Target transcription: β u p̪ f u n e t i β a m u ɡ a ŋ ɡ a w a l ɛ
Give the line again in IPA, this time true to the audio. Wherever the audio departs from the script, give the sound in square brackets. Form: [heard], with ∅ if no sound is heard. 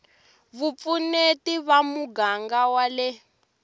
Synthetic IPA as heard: β u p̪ f u n e t i β a m u ɡ a ŋ ɡ a w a l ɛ